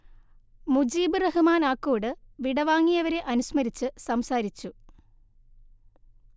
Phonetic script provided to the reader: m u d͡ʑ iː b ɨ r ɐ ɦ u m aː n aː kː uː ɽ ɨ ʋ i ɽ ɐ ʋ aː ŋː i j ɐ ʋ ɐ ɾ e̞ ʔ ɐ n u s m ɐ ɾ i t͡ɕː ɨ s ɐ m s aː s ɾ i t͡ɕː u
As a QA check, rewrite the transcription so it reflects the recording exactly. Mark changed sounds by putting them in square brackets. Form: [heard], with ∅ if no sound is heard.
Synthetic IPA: m u d͡ʑ iː b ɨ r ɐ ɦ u m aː n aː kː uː ɽ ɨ ʋ i ɽ ɐ ʋ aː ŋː i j ɐ ʋ ɐ ɾ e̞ ʔ ɐ n u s m ɐ ɾ i t͡ɕː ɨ s ɐ m s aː [∅] ɾ i t͡ɕː u